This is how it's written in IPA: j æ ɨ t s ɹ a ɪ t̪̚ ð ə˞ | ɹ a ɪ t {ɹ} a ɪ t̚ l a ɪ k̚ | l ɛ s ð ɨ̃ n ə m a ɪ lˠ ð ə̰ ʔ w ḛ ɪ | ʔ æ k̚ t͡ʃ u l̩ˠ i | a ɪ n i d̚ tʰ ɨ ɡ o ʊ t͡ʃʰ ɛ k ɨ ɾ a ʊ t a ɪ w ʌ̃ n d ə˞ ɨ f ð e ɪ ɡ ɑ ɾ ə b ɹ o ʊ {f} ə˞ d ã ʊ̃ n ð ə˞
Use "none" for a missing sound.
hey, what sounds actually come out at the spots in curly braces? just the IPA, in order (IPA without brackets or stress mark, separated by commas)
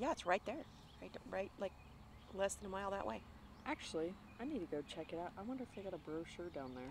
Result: ɹ, ʃ